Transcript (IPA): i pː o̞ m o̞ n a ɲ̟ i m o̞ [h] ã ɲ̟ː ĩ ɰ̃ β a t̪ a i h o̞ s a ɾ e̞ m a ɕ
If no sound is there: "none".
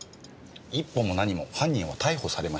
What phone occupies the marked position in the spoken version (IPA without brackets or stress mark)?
h